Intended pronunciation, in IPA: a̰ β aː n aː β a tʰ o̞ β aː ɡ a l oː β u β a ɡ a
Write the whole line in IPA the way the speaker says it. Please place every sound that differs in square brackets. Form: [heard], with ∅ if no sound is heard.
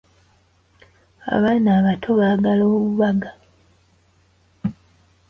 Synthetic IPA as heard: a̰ β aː n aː β a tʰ o̞ β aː ɡ a l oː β u β a ɡ a